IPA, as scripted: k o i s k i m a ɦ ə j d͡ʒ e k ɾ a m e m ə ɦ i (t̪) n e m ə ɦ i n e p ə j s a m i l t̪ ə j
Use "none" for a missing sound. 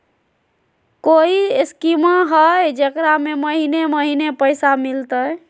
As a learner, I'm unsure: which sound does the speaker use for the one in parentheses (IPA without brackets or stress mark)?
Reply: none